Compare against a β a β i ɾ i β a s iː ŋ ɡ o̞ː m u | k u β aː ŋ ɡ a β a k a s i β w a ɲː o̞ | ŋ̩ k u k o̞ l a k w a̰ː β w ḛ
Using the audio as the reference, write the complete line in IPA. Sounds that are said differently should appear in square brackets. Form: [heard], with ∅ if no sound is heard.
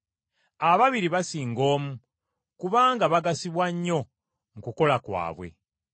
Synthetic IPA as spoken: a β a β i ɾ i β a s iː ŋ ɡ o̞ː m u | k u β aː ŋ ɡ a β a [ɡ] a s i β w a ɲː o̞ | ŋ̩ k u k o̞ l a k w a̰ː β w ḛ